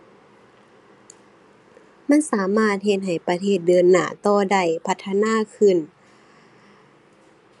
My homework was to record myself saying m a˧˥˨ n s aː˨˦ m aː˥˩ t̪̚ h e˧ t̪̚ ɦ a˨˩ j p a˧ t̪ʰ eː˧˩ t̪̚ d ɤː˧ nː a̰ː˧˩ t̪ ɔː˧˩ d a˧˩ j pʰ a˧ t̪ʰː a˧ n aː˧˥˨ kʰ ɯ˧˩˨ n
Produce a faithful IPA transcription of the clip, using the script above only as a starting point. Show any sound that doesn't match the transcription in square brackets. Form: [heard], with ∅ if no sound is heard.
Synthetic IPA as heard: m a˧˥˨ n s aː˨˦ m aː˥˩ t̪̚ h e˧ t̪̚ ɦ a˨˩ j p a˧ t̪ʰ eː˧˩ t̪̚ d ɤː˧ nː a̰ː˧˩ t̪ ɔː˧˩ d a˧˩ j pʰ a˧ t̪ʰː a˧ n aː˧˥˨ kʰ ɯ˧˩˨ n